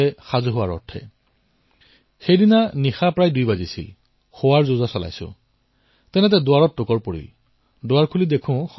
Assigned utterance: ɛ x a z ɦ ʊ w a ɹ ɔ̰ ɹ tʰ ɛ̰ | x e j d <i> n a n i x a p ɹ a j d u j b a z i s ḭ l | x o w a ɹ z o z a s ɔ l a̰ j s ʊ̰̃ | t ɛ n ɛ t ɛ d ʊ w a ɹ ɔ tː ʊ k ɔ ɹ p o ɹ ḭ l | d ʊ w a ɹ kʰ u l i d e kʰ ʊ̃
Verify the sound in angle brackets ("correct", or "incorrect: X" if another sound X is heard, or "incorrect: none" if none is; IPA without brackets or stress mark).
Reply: correct